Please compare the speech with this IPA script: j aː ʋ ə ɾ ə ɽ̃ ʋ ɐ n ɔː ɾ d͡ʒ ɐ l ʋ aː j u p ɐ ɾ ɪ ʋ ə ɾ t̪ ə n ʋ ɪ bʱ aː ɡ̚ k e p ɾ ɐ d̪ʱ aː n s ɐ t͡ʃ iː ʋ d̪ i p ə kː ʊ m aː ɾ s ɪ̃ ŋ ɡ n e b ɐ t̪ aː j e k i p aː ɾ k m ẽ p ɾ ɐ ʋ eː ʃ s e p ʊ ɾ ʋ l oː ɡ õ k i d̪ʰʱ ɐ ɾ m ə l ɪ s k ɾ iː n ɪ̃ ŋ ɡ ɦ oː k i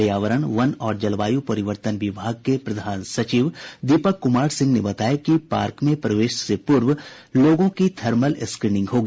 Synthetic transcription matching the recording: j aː ʋ ə ɾ ə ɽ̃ ʋ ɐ n ɔː ɾ d͡ʒ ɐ l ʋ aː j u p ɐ ɾ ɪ ʋ ə ɾ t̪ ə n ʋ ɪ bʱ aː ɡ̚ k e p ɾ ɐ d̪ʱ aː n s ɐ t͡ʃ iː ʋ d̪ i p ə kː ʊ m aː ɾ s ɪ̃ ŋ ɡ n e b ɐ t̪ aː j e k i p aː ɾ k m ẽ p ɾ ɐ ʋ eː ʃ s e p ʊ ɾ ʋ l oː ɡ õ k i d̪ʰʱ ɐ ɾ m ə l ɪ s k ɾ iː n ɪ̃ ŋ ɡ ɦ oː ɡ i